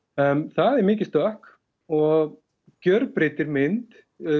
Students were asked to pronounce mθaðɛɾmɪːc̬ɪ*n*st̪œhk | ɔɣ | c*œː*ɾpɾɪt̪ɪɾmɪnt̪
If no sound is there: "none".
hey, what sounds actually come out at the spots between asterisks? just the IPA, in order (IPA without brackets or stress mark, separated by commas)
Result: none, œ